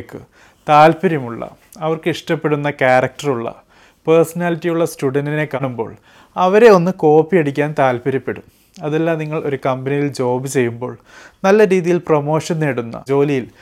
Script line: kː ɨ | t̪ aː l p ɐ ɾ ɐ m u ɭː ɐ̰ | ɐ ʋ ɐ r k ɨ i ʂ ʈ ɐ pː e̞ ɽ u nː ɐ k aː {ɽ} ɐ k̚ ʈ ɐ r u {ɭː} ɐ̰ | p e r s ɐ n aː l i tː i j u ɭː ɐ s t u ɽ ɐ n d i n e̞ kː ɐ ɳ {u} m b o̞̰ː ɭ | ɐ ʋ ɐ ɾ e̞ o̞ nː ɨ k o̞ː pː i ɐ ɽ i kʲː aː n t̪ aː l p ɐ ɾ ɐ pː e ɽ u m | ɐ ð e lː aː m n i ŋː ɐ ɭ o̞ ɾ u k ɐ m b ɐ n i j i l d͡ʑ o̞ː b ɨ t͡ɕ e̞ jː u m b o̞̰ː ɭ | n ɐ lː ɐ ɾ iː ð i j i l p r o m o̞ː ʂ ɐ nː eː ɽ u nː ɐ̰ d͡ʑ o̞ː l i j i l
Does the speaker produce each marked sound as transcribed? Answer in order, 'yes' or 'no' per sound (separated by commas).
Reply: no, yes, yes